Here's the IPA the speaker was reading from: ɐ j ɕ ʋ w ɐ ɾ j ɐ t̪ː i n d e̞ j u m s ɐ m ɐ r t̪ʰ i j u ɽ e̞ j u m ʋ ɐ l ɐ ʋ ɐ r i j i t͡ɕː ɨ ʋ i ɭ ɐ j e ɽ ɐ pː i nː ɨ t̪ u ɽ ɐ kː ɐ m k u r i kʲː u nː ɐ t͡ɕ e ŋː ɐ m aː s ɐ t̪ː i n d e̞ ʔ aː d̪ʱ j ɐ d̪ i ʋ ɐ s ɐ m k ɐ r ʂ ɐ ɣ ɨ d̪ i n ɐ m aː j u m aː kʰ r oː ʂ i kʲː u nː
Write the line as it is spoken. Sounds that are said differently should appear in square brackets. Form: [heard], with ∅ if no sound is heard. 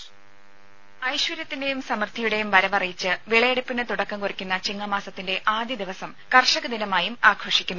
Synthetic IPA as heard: ɐ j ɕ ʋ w ɐ ɾ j ɐ t̪ː i n d e̞ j u m s ɐ m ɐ r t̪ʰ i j u ɽ e̞ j u m ʋ ɐ [ɾ] ɐ ʋ ɐ r i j i t͡ɕː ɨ ʋ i ɭ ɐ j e ɽ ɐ pː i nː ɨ t̪ u ɽ ɐ kː ɐ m k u r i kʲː u nː ɐ t͡ɕ [i] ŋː ɐ m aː s ɐ t̪ː i n d e̞ ʔ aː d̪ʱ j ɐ d̪ i ʋ ɐ s ɐ m k ɐ r ʂ ɐ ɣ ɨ d̪ i n ɐ m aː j u m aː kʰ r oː ʂ i kʲː u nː